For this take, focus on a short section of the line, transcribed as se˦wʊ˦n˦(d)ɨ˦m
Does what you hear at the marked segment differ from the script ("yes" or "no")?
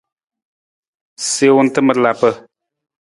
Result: yes